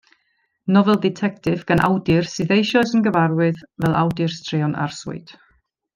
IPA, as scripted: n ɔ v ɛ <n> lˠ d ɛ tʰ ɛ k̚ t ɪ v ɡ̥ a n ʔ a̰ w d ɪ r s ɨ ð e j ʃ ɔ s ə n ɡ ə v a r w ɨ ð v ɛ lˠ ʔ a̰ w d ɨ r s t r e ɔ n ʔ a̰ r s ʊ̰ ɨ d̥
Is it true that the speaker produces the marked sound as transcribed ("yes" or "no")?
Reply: no